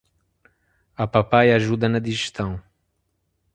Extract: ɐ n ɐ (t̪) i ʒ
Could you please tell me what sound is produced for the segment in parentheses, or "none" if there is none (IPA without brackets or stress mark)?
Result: d̪